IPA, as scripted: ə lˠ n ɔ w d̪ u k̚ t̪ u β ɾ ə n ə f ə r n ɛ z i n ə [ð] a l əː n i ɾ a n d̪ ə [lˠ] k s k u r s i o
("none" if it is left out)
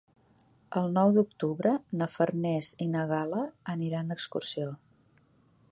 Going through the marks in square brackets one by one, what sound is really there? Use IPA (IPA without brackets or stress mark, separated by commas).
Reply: ɣ, none